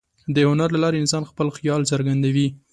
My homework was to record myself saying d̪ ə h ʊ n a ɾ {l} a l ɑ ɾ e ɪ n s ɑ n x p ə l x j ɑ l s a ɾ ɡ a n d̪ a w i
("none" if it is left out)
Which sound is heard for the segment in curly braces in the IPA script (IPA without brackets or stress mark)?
l